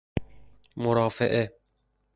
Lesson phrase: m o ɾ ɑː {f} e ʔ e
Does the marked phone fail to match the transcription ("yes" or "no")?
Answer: no